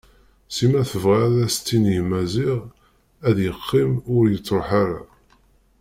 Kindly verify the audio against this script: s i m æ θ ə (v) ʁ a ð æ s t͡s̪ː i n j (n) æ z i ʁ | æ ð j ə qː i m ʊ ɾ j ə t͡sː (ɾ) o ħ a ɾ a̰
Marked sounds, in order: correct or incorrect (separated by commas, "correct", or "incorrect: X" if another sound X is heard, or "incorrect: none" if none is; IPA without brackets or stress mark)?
correct, incorrect: m, correct